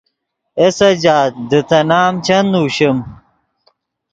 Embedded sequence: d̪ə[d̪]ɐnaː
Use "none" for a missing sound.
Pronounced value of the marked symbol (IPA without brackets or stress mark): t̪